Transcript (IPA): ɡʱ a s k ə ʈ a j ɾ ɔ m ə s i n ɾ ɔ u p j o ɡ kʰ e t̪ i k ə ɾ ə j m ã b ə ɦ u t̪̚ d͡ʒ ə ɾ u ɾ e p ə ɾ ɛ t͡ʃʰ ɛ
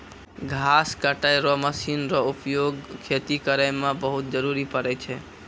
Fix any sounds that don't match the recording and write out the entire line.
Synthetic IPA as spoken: ɡʱ a s k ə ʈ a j ɾ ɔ m ə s i n ɾ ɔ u p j o ɡ kʰ e t̪ i k ə ɾ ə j m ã b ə ɦ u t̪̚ d͡ʒ ə ɾ u ɾ i p ə ɾ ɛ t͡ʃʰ ɛ

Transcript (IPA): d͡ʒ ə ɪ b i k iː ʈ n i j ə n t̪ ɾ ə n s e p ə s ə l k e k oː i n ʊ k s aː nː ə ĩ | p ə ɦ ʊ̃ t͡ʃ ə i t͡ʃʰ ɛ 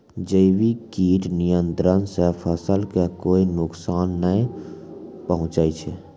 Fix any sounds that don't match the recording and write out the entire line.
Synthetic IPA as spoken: d͡ʒ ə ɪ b i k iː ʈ n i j ə n t̪ ɾ ə n s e pʰ ə s ə l k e k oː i n ʊ k s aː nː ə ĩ | p ə ɦ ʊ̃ t͡ʃ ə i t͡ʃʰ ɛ

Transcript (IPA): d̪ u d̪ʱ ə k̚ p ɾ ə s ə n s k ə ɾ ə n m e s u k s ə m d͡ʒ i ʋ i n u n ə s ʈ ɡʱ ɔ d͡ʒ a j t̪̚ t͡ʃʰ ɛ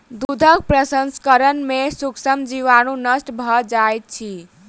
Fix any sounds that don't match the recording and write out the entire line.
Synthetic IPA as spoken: d̪ u d̪ʱ ə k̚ p ɾ ə s ə n s k ə ɾ ə n m e s u k s ə m d͡ʒ i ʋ a n u n ə s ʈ bʱ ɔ d͡ʒ a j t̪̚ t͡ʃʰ i

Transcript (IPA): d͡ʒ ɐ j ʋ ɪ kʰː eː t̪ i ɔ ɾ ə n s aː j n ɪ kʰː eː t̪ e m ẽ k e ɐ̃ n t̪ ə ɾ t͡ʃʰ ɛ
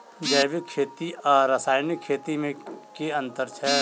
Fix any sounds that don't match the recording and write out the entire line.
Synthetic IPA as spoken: d͡ʒ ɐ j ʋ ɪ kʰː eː t̪ i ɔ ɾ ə s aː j n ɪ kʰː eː t̪ i m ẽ k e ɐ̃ n t̪ ə ɾ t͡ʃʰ ɛ

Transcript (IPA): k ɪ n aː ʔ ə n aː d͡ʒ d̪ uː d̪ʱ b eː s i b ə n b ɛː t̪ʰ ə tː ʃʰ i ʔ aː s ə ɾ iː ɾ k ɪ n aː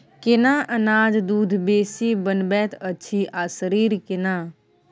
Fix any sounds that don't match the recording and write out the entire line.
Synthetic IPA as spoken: k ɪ n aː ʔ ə n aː d͡ʒ d̪ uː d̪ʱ b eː s i b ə n b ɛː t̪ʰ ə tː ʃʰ i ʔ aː s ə ɾ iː ɾ k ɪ n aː

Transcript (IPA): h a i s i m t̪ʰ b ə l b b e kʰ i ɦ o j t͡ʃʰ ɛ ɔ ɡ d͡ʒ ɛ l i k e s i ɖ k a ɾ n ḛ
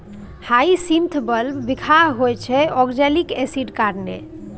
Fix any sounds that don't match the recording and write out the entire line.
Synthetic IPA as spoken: h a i s i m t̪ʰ b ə l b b i kʰ a ɦ o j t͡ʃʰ ɛ ɔ ɡ d͡ʒ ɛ l i k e s i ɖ k a ɾ n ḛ

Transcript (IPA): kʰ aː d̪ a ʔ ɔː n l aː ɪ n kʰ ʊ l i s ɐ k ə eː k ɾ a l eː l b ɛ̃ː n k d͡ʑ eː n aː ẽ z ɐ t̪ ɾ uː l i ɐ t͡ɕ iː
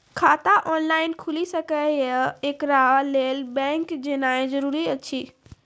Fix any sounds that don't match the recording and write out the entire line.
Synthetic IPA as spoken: kʰ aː t̪ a ʔ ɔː n l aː ɪ n kʰ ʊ l i s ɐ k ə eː k ɾ a l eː l b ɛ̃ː ŋ k d͡ʑ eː n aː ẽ z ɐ ɾ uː ɾ i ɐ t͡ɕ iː

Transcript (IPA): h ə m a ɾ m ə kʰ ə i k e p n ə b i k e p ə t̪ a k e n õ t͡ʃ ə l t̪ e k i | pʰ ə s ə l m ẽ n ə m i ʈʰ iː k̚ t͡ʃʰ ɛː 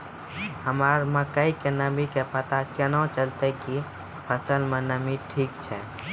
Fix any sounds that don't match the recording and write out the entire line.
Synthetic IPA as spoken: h ə m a ɾ m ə k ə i k e n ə b i k e p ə t̪ a k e n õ t͡ʃ ə l t̪ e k i | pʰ ə s ə l m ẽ n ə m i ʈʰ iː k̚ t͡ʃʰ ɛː

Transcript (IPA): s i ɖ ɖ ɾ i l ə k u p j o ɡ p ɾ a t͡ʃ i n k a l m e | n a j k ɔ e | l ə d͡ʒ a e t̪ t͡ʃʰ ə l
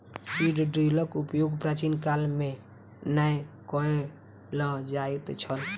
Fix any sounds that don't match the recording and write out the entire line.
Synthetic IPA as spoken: s i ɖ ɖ ɾ i l ə k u p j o ɡ p ɾ a t͡ʃ i n k a l m e | n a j k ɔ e | l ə d͡ʒ a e t̪ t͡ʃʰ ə l

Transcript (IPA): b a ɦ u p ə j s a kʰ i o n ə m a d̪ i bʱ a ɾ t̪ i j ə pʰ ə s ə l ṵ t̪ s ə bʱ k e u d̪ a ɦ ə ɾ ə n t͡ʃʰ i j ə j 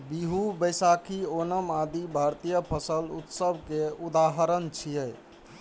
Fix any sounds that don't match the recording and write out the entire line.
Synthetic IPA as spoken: b i ɦ u b ə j s a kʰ i o n ə m a d̪ i bʱ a ɾ t̪ i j ə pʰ ə s ə l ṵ t̪ s ə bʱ k e u d̪ a ɦ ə ɾ ə n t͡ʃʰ i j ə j

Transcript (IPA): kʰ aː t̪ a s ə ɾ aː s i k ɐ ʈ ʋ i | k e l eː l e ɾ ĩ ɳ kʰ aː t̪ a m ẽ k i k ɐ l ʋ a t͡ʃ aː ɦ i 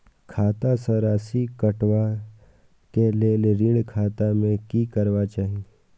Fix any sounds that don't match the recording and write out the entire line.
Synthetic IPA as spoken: kʰ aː t̪ a s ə ɾ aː s i k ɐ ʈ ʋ a | k e l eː l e ɾ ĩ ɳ kʰ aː t̪ a m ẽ k i k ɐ ɾ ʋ a t͡ʃ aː ɦ i

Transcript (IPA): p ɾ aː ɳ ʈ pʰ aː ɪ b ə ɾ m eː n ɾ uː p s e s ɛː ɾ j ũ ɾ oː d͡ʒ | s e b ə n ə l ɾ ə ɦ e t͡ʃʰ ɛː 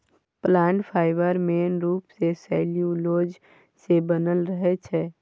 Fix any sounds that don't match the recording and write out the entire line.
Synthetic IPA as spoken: p l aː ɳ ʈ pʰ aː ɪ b ə ɾ m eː n ɾ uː p s e s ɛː l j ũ l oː d͡ʒ | s e b ə n ə l ɾ ə ɦ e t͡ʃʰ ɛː

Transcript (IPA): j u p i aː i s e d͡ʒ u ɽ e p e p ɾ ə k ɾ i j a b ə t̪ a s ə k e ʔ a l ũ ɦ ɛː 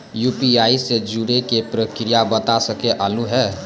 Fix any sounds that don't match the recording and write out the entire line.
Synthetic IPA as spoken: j u p i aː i s e d͡ʒ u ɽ e k e p ɾ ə k ɾ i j a b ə t̪ a s ə k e ʔ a l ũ ɦ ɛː

